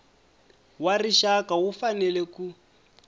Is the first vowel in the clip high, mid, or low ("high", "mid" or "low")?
low